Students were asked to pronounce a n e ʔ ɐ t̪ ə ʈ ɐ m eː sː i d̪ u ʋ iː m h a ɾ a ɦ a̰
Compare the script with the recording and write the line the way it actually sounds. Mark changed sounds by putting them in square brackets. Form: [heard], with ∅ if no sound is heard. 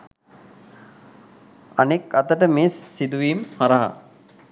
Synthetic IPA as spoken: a n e [k] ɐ t̪ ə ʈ [ə] m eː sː i d̪ u ʋ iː m h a ɾ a ɦ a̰

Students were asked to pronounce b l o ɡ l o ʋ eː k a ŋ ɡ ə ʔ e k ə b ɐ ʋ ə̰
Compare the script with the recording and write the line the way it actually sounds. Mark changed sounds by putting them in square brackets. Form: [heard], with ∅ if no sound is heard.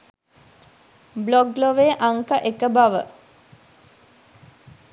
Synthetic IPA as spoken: b l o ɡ l o ʋ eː [ʔ] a ŋ [k] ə ʔ e k ə b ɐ ʋ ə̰

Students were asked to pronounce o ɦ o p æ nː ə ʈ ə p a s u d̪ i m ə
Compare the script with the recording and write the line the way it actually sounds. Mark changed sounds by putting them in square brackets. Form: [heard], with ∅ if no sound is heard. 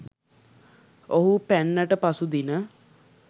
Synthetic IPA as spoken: o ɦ [u] p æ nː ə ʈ ə p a s u d̪ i [n] ə

